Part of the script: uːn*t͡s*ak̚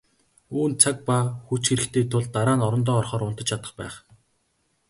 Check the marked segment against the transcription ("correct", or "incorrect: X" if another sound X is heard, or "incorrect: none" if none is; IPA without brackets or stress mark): incorrect: t͡sʰ